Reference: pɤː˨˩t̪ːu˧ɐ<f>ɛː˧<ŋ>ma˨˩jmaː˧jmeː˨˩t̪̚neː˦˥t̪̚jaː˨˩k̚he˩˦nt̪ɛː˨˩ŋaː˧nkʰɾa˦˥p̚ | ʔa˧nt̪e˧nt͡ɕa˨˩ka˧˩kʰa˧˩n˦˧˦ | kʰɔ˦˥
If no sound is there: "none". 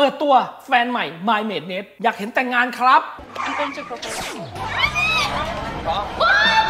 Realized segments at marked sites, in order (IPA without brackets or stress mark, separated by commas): f, n